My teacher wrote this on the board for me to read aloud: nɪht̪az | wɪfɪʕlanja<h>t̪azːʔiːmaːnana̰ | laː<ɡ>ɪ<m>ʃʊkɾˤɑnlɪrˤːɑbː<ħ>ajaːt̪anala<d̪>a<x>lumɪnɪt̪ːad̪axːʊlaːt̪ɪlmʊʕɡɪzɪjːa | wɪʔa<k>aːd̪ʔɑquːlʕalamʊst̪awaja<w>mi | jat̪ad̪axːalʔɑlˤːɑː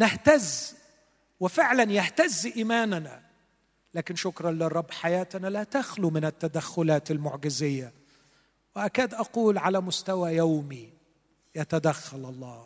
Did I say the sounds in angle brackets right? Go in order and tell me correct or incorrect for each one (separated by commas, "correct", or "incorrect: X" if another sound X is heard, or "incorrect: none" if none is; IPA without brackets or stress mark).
correct, incorrect: k, incorrect: n, correct, incorrect: t̪, correct, correct, correct